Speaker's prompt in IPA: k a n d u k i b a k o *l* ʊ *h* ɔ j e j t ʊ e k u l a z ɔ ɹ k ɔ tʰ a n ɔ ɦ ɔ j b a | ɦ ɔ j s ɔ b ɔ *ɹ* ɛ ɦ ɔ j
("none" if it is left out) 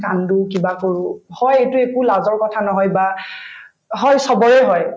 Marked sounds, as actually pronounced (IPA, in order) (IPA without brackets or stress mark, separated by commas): ɹ, h, ɹ